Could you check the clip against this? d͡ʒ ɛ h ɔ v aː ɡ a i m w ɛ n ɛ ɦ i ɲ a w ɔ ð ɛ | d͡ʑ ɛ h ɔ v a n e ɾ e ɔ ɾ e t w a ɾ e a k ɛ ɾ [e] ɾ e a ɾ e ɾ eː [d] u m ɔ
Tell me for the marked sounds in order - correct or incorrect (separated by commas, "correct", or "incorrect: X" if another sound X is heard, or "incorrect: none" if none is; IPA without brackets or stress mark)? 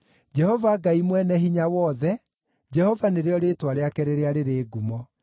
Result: correct, incorrect: ɡ